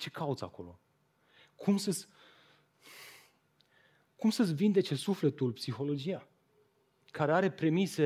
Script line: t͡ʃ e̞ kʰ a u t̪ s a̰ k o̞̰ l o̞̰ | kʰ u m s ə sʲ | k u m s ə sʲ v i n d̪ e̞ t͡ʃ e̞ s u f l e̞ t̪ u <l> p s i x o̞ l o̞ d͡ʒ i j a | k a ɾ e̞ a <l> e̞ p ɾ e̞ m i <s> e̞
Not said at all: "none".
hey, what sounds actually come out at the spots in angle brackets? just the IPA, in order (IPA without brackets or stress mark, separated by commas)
l, ɾ, s